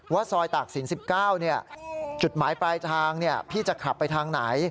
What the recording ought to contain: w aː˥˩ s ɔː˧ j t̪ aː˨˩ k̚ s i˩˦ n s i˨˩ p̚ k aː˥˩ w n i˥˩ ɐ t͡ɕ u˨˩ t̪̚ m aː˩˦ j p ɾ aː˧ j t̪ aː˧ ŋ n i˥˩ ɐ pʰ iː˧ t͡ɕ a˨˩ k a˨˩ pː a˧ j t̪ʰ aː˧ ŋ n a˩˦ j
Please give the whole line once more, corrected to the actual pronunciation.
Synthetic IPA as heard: w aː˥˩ s ɔː˧ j t̪ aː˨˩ k̚ s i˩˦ n s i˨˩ p̚ k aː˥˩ w n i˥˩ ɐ t͡ɕ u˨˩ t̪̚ m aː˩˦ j p ɾ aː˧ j t̪ʰ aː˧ ŋ n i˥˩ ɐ pʰ iː˥˩ t͡ɕ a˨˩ kʰ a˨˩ pː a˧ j t̪ʰ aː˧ ŋ n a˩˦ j